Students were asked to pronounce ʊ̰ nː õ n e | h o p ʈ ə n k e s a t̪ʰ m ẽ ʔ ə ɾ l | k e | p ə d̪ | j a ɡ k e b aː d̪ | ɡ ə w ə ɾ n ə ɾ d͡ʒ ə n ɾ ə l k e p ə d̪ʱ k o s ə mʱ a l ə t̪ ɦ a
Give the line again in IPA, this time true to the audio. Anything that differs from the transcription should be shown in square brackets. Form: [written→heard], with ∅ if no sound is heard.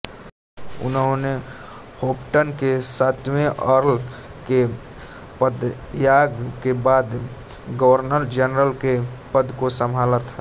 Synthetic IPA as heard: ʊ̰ [nː→n] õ n e | h o p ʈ ə n k e s a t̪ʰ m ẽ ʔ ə ɾ l | k e | p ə d̪ | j a ɡ k e b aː d̪ | ɡ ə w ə ɾ n ə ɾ d͡ʒ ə n ɾ ə l k e p ə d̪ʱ k o s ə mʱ a l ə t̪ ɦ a